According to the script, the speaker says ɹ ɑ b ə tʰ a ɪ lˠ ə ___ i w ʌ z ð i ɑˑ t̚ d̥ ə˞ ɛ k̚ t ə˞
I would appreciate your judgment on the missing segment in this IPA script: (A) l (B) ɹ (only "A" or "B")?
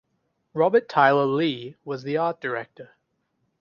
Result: A